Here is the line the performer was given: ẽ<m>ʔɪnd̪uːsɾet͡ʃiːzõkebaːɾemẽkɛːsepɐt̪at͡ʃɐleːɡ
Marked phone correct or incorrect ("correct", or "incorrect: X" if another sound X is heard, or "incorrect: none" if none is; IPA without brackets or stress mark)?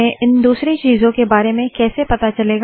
incorrect: none